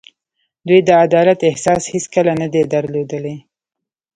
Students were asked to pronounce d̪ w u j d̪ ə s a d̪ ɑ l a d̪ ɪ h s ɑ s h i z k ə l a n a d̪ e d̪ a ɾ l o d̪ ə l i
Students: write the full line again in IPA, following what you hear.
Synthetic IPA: d̪ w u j d̪ ə a d̪ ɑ l a t̪ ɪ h s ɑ s h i s k ə l a n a d̪ e d̪ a ɾ l o d̪ ə l e